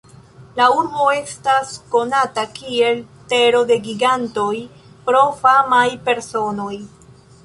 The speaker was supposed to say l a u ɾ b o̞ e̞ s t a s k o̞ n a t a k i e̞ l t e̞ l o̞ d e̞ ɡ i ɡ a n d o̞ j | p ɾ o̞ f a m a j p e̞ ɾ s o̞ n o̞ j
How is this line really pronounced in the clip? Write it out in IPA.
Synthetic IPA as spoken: l a u ɾ b o̞ e̞ s t a s k o̞ n a t a k i e̞ l t e̞ ɾ o̞ d e̞ ɡ i ɡ a n t o̞ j | p ɾ o̞ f a m a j p e̞ ɾ s o̞ n o̞ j